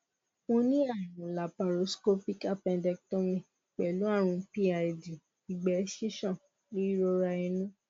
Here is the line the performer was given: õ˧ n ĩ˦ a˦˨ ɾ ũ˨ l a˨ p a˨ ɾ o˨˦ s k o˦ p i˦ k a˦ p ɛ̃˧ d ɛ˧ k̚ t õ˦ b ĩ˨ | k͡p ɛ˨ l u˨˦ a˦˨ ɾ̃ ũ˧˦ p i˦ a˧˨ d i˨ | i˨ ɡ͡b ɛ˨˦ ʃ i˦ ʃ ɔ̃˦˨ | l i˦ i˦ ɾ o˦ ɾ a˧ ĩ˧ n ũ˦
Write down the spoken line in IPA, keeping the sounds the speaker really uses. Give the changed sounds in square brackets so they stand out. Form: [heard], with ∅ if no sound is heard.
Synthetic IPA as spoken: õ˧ n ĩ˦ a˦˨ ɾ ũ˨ l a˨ p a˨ ɾ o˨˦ s k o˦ p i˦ k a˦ p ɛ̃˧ d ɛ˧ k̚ t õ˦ [m] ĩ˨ | k͡p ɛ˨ l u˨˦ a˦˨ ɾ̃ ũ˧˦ p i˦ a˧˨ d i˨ | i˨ ɡ͡b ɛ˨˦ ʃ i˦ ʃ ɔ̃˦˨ | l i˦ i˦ ɾ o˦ ɾ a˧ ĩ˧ n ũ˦

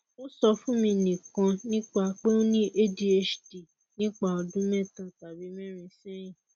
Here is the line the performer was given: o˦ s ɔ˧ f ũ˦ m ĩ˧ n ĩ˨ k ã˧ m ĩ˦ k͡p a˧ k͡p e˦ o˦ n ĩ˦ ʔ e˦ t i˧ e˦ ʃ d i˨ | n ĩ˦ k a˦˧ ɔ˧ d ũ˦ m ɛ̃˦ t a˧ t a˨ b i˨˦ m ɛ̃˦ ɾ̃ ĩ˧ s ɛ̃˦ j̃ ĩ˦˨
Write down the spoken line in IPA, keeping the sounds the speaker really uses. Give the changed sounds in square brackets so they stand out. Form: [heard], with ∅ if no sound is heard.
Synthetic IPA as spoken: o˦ s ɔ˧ f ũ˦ m ĩ˧ n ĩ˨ k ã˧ [n] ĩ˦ k͡p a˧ k͡p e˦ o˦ n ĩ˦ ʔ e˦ [d] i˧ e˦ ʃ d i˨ | n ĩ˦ [k͡p] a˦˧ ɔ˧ d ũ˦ m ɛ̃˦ t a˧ t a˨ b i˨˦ m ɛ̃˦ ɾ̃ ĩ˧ s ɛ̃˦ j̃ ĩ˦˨

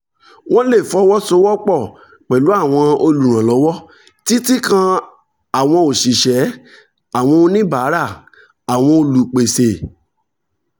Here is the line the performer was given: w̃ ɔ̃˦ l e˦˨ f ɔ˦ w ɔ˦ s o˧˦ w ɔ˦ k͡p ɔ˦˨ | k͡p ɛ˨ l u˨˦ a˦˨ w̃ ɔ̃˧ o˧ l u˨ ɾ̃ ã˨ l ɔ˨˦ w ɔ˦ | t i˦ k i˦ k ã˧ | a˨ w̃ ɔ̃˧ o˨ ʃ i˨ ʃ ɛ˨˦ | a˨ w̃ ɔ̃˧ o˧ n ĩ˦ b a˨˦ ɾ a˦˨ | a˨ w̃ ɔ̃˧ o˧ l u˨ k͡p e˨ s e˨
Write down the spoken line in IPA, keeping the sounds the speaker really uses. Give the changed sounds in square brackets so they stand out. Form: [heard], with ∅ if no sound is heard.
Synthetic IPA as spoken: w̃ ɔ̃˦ l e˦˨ f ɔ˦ w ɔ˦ s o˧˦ w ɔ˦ k͡p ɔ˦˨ | k͡p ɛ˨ l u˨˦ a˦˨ w̃ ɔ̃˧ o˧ l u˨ ɾ̃ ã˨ l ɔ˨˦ w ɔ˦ | t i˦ [t] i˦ k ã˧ | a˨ w̃ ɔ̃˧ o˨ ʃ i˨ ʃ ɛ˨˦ | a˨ w̃ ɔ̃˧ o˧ n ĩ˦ b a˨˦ ɾ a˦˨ | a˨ w̃ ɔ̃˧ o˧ l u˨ k͡p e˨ s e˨

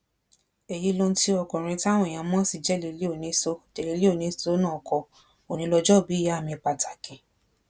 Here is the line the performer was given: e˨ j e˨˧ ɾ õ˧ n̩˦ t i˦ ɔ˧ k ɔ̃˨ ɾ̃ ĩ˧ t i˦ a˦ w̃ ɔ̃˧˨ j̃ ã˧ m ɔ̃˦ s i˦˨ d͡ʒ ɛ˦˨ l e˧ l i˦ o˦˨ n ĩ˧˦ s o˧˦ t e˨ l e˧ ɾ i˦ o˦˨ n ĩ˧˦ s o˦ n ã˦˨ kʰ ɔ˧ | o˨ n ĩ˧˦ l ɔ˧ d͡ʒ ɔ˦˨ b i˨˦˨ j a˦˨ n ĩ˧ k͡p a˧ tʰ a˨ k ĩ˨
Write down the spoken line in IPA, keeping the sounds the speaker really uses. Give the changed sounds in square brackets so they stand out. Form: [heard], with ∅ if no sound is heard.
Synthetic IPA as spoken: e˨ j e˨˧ [l] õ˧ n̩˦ t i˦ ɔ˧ k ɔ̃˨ ɾ̃ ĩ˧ t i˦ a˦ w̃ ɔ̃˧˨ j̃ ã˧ m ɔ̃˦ s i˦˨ d͡ʒ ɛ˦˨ l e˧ l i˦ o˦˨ n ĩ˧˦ s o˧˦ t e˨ l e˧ [l] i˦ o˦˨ n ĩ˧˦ s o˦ n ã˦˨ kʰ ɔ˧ | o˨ n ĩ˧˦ l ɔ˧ d͡ʒ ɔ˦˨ b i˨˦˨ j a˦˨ [m] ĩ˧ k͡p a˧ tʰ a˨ k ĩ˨

